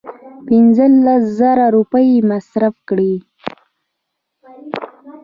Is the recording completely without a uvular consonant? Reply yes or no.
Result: yes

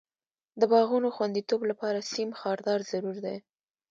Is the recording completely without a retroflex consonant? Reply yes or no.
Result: yes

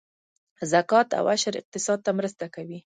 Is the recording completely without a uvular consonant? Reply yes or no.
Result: no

